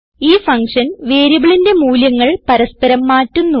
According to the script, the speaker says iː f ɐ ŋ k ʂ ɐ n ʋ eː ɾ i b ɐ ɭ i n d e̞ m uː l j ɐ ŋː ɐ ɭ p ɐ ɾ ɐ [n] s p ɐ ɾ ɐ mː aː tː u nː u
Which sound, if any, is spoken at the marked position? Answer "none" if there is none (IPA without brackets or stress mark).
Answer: none